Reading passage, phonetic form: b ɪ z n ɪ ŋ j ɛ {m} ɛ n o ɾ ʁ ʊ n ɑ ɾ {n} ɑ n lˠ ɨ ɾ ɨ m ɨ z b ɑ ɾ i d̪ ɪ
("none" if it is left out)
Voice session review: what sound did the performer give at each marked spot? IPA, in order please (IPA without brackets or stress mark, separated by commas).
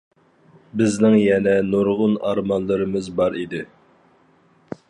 n, m